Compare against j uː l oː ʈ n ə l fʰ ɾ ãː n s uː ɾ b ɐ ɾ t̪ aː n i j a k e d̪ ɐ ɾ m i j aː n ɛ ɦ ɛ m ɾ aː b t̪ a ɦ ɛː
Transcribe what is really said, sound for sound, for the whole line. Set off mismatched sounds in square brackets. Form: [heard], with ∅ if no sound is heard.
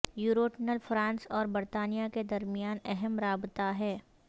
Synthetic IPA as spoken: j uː [ɾ] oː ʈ n ə l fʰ ɾ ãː n s [ɔː] ɾ b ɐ ɾ t̪ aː n i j a k e d̪ ɐ ɾ m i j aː n ɛ ɦ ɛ m ɾ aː b t̪ a ɦ ɛː